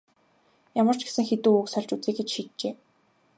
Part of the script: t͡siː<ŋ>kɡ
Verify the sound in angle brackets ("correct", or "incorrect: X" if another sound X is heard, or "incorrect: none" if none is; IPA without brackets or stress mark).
incorrect: none